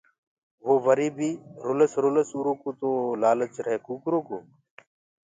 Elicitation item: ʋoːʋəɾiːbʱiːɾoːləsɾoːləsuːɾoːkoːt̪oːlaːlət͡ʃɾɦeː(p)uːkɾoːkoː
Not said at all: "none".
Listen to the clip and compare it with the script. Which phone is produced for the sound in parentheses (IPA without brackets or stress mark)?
k